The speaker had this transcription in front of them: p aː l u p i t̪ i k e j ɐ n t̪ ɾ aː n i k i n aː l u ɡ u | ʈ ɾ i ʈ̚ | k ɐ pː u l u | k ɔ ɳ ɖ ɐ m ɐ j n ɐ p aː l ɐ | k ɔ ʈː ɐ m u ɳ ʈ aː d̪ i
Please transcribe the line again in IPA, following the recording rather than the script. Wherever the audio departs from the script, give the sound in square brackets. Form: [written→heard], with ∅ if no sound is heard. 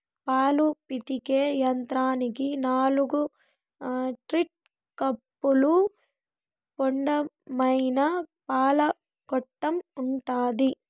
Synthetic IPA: p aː l u p i t̪ i k e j ɐ n t̪ ɾ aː n i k i n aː l u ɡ u | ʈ ɾ i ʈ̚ | k ɐ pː u l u | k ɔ ɳ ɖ ɐ m ɐ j n ɐ p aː l ɐ | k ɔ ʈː ɐ m u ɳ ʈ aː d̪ i

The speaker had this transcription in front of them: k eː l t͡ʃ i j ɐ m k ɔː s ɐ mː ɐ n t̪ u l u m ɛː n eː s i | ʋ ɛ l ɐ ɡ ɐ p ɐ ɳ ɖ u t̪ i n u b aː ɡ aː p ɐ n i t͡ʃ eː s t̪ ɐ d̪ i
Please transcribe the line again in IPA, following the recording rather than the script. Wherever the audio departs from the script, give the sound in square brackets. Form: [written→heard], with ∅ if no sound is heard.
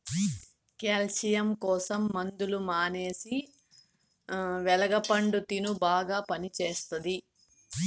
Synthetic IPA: k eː l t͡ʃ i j ɐ m k ɔː s ɐ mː ɐ n [t̪→d̪] u l u m [ɛː→aː] n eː s i | ʋ ɛ l ɐ ɡ ɐ p ɐ ɳ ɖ u t̪ i n u b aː ɡ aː p ɐ n i t͡ʃ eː s t̪ ɐ d̪ i

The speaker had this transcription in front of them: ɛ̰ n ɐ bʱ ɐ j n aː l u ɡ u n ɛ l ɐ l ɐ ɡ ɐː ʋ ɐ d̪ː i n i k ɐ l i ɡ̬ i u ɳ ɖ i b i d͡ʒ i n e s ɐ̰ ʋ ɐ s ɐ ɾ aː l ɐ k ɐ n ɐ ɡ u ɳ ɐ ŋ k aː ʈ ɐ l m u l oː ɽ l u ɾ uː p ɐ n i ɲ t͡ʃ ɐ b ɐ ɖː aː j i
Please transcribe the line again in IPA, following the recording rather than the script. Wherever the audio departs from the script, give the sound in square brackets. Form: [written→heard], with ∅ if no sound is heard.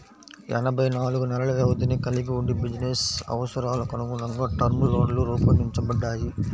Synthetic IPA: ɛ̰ n ɐ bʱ ɐ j n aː l u ɡ u n ɛ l ɐ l ɐ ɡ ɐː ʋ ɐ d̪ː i n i k ɐ l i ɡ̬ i u ɳ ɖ i b i d͡ʒ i n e s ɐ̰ ʋ ɐ s ɐ ɾ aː l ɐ k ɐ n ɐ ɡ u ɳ ɐ ŋ [k→ɡ] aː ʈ ɐ [l→ɾ] m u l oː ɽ l u ɾ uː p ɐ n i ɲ t͡ʃ ɐ b ɐ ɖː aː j i

